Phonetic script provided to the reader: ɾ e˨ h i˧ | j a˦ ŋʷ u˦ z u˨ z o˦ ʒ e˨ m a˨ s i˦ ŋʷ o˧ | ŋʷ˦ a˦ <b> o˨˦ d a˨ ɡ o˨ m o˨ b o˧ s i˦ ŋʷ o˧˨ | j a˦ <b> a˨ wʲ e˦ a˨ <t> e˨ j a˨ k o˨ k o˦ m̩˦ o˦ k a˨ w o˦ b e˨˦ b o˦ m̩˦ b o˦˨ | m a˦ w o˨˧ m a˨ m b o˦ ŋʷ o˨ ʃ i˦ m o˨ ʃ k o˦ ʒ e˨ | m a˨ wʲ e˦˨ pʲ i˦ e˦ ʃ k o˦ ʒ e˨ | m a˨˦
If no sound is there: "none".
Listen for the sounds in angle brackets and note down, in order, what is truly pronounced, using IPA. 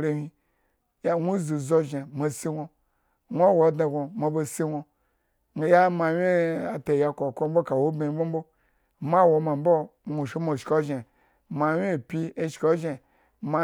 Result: w, m, t

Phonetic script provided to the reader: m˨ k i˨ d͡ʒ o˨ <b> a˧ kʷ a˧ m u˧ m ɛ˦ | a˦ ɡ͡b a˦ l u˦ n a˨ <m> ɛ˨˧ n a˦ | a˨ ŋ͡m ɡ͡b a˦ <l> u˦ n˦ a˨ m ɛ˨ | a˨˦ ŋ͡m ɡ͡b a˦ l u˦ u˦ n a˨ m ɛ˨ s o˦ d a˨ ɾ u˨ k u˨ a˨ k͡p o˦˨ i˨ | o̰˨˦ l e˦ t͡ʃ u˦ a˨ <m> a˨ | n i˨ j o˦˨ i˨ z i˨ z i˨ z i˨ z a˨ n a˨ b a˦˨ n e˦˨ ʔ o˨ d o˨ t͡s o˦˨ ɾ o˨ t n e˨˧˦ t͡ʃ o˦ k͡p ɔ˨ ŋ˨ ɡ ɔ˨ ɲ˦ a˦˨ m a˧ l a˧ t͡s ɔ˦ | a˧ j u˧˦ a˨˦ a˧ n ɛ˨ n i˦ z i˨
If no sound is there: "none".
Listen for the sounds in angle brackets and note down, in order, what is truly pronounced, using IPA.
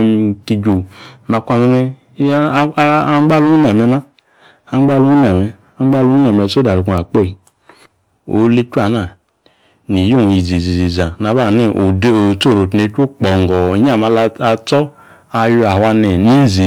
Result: m, m, l, n

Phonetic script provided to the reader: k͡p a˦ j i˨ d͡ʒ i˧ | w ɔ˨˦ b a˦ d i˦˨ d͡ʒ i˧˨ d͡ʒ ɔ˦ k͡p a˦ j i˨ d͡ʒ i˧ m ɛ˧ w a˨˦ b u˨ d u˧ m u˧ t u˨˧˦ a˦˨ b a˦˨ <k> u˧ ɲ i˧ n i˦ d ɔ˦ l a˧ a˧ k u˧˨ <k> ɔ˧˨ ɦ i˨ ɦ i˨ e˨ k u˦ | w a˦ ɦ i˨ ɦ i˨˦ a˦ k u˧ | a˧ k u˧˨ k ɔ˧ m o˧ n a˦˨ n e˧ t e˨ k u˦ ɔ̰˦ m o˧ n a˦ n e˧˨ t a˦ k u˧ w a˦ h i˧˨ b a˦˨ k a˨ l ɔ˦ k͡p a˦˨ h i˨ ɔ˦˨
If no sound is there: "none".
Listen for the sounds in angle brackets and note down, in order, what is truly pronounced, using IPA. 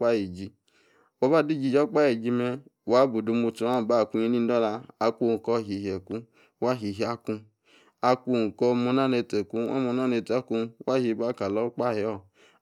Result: k, k

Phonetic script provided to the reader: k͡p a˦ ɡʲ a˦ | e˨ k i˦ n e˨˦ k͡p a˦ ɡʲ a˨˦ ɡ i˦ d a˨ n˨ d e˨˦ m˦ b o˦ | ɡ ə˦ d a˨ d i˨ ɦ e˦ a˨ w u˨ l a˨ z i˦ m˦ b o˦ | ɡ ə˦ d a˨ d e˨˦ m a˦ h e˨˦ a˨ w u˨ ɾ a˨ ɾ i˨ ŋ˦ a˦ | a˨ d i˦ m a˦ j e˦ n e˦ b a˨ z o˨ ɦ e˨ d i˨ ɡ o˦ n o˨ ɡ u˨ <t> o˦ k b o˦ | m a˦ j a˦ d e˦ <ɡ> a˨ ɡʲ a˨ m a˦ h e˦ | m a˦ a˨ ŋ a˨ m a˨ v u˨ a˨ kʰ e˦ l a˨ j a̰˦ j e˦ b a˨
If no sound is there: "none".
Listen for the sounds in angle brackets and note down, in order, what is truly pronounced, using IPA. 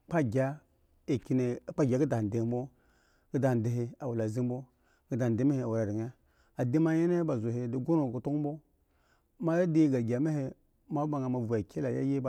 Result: t, ɡ

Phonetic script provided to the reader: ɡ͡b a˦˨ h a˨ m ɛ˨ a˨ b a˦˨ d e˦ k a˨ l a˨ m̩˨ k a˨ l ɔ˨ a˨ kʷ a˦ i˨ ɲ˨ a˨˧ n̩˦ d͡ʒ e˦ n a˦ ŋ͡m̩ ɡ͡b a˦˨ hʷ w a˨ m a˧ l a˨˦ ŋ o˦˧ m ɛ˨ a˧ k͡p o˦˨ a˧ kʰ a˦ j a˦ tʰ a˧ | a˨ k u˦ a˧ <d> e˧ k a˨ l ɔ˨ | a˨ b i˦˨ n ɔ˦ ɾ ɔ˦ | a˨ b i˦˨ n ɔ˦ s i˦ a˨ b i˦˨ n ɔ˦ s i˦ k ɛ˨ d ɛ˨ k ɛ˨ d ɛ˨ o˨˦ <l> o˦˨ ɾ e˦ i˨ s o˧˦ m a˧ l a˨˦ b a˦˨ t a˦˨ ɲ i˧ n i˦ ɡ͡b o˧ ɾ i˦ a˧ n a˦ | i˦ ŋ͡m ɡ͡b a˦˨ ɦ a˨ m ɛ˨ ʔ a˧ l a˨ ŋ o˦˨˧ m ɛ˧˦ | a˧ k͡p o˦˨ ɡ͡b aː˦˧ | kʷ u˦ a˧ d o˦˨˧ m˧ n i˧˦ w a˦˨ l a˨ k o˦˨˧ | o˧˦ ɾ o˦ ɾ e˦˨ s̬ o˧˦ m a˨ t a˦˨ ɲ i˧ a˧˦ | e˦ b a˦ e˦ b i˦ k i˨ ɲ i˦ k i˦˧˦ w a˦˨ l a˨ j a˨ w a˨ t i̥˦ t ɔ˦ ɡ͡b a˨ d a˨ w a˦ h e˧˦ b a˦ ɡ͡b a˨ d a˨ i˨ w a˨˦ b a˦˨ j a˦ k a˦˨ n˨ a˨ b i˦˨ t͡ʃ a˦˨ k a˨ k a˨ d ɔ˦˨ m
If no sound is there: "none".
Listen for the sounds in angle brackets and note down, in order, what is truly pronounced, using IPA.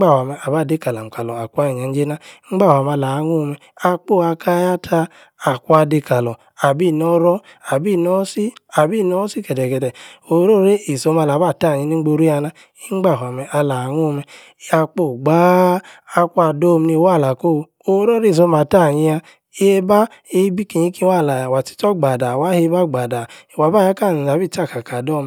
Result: d, ɾ

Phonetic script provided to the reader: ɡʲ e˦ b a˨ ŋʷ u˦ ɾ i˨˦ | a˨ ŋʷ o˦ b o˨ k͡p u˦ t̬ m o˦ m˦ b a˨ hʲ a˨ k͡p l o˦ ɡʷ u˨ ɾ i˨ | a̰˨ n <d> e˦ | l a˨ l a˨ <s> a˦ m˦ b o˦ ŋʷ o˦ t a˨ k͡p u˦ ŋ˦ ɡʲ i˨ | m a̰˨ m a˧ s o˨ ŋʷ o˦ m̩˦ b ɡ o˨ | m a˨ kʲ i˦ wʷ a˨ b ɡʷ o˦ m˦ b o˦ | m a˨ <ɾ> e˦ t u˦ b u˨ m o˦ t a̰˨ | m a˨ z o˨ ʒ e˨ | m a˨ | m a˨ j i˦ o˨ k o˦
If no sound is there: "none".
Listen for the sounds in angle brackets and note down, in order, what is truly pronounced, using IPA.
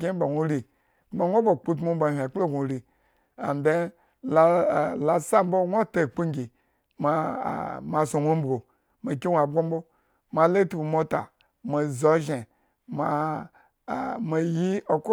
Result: d, s, l

